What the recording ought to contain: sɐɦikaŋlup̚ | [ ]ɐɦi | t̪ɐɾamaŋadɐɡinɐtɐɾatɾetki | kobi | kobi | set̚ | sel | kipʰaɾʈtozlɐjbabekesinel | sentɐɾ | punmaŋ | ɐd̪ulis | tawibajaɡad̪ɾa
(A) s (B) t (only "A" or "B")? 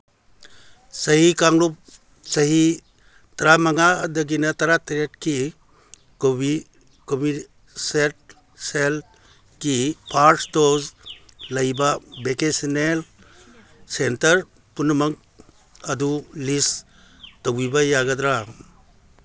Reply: A